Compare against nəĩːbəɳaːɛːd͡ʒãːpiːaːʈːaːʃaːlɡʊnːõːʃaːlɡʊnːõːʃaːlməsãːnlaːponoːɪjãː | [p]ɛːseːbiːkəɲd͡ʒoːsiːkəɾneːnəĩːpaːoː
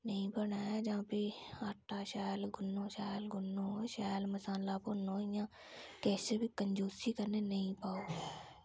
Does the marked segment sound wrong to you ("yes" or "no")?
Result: yes